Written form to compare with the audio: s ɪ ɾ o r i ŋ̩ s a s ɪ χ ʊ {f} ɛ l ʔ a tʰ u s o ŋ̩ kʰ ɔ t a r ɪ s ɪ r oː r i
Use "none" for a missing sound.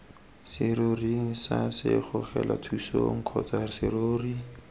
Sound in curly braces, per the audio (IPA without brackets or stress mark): χ